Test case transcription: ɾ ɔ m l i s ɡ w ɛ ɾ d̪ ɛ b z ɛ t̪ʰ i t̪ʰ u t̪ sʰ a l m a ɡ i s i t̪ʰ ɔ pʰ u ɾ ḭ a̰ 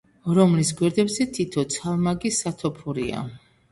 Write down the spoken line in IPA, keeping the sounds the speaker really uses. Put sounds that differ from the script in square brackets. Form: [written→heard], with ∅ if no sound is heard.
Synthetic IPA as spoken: ɾ ɔ m l i s ɡ w ɛ ɾ d̪ ɛ b z ɛ t̪ʰ i t̪ʰ [u→ɔ] t̪ sʰ a l m a ɡ i s [i→a] t̪ʰ ɔ pʰ u ɾ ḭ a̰